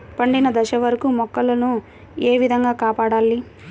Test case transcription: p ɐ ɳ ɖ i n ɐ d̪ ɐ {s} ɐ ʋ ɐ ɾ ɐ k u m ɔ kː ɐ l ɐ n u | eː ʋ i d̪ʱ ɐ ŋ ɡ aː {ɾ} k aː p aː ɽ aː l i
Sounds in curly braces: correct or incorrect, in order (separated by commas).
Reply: incorrect, incorrect